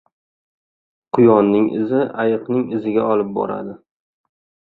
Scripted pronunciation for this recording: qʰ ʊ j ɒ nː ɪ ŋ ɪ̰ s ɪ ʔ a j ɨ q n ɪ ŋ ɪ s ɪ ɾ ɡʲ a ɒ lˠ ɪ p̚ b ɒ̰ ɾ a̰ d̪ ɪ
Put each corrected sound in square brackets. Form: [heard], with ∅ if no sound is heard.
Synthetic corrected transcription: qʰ ʊ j ɒ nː ɪ ŋ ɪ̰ [z] ɪ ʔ a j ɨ q n ɪ ŋ ɪ [z] ɪ [∅] ɡʲ a ɒ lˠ ɪ p̚ b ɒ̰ ɾ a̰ d̪ ɪ